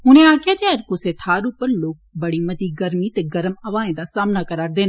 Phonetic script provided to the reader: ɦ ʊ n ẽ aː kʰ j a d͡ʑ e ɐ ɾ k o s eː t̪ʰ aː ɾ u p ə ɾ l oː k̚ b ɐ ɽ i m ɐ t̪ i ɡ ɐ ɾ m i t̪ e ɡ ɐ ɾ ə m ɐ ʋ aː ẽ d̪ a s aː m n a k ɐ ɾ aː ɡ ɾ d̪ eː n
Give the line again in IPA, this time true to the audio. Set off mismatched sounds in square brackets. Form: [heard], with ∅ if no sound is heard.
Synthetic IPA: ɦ ʊ n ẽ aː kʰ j a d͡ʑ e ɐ ɾ k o s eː t̪ʰ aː ɾ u p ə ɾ l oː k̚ b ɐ ɽ i m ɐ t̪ i ɡ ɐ ɾ m i t̪ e ɡ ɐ ɾ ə m ɐ ʋ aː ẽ d̪ a s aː m n a k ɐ ɾ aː [∅] ɾ d̪ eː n